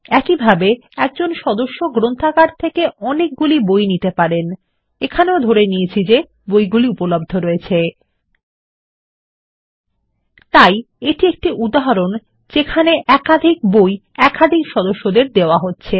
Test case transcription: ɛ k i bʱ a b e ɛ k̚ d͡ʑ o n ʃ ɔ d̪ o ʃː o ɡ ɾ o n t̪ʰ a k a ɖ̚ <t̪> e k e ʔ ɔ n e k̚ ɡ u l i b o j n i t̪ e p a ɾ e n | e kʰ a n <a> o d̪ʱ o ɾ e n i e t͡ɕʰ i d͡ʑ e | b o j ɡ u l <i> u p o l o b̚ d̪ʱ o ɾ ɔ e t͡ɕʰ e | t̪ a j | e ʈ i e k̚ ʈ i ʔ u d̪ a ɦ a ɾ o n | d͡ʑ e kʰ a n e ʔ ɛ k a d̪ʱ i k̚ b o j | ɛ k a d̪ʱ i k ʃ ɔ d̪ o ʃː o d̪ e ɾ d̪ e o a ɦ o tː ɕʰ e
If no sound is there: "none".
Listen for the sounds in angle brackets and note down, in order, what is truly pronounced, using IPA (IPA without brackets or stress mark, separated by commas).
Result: t̪ʰ, e, i